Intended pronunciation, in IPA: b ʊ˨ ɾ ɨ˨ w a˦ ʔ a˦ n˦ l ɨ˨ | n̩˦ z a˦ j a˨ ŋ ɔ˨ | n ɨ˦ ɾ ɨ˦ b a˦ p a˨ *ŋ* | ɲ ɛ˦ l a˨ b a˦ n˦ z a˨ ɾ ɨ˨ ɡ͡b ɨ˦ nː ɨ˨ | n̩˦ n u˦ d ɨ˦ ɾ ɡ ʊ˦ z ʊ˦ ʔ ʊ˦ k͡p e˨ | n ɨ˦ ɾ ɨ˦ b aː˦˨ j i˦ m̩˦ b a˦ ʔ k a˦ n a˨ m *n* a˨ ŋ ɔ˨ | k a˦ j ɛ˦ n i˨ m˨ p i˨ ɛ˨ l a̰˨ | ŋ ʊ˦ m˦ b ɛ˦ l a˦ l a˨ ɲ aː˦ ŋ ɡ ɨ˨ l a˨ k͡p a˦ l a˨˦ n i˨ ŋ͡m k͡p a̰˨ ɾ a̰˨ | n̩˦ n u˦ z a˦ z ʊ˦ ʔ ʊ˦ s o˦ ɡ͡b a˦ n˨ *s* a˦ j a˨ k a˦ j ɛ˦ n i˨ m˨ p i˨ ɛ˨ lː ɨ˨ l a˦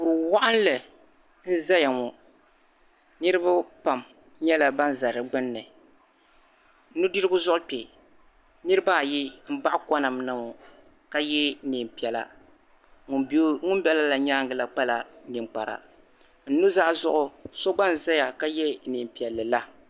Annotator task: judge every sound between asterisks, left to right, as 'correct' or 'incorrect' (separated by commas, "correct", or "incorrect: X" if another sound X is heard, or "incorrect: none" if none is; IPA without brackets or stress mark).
incorrect: m, correct, incorrect: z